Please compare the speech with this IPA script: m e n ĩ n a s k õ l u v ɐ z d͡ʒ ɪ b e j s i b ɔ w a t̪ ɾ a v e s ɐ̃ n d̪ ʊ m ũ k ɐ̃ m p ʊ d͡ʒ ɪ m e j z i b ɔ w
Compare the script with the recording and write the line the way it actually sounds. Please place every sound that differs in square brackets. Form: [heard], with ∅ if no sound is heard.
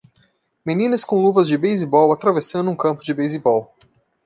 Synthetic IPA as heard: m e n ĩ n [ɐ] s k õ l u v ɐ z d͡ʒ ɪ b e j [z] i b ɔ w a t̪ ɾ a v e s ɐ̃ n d̪ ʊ [∅] ũ k ɐ̃ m p ʊ d͡ʒ ɪ [b] e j z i b ɔ w